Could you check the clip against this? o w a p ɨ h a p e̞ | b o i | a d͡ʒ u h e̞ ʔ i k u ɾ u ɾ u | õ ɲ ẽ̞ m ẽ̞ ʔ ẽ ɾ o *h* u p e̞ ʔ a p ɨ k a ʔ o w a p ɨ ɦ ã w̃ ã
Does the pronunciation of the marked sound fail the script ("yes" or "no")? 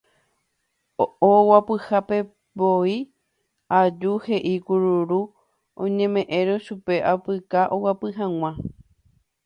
yes